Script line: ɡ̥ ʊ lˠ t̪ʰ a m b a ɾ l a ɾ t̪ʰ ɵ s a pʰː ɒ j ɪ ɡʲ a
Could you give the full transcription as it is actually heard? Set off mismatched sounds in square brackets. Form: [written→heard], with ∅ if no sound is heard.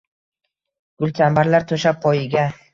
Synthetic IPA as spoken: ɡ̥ ʊ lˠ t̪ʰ a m b a ɾ l a ɾ t̪ʰ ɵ [s→ʃ] a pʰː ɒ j ɪ ɡʲ a